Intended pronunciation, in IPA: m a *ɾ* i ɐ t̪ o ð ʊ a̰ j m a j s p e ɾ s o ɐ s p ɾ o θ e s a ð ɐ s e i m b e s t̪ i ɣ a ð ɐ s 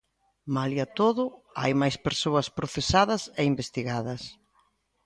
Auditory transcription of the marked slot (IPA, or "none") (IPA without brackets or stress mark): l